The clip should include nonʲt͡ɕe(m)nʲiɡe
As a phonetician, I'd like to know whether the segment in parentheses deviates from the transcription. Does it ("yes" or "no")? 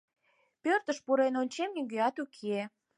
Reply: no